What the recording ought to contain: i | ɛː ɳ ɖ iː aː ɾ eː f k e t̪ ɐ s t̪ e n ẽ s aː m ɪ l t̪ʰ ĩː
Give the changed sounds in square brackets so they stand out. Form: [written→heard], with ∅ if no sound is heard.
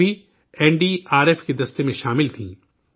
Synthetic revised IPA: i | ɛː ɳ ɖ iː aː ɾ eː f k e [t̪→d̪] ɐ s t̪ e [n→m] ẽ [s→ʃ] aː m ɪ l t̪ʰ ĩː